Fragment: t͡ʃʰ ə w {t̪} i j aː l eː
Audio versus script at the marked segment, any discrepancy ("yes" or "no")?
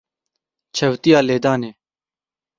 no